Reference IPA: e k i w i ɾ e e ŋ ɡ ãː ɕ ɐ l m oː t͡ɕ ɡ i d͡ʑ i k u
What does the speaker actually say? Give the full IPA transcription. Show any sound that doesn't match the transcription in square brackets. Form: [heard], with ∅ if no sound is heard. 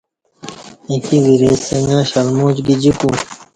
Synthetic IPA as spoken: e k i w i ɾ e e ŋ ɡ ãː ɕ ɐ l m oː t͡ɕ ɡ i d͡ʑ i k u